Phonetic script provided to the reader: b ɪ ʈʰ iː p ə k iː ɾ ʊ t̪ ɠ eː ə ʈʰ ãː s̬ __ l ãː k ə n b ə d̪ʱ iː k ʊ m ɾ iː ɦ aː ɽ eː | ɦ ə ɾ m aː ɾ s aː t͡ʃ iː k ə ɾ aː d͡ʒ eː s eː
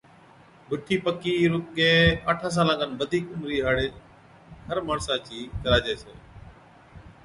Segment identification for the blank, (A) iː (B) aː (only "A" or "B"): B